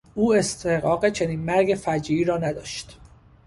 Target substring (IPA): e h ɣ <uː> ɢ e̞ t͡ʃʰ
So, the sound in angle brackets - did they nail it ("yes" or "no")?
no